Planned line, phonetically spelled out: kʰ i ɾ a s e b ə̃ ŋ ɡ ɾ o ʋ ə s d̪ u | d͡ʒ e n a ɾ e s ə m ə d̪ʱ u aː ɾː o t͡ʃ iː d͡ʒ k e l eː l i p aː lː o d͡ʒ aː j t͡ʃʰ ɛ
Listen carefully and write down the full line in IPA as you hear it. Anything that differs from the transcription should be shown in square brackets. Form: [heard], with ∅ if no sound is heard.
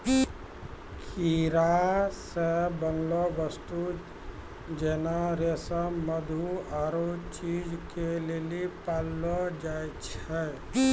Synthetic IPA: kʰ i ɾ a s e b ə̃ ŋ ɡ [l] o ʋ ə s [t̪] u | d͡ʒ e n a ɾ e s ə m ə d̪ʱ u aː [ɾ] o t͡ʃ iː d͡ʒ k e l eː l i p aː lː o d͡ʒ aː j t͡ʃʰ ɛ

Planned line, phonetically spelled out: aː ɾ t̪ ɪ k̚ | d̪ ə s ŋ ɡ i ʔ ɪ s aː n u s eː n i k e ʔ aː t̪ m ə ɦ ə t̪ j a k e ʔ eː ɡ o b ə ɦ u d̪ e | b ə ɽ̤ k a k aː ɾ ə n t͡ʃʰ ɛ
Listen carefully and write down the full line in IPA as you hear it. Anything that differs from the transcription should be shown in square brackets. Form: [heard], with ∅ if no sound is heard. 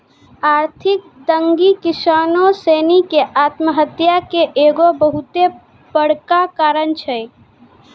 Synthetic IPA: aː ɾ [t̪ʰ] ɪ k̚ | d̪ ə [∅] ŋ ɡ i [k] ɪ s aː n [o] s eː n i k e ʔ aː t̪ m ə ɦ ə t̪ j a k e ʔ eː ɡ o b ə ɦ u [t̪] e | b ə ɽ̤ k a k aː ɾ ə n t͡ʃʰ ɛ

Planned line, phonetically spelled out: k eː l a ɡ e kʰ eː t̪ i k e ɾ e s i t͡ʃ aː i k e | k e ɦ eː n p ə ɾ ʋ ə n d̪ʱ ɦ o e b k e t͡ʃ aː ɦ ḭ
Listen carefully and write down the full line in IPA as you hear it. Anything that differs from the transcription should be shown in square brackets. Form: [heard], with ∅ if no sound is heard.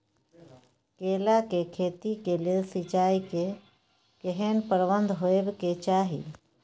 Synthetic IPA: k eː l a [k] e kʰ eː t̪ i k e [l] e s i t͡ʃ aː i k e | k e ɦ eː n p ə ɾ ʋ ə n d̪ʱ ɦ o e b k e t͡ʃ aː ɦ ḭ

